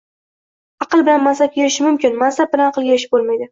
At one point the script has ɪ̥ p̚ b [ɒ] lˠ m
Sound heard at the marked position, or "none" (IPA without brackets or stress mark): o